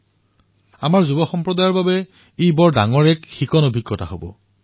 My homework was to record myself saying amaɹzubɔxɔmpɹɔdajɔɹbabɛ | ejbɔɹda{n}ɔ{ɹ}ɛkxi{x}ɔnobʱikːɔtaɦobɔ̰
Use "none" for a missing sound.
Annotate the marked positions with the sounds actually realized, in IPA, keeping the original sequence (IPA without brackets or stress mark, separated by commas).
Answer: ŋ, ɹ, k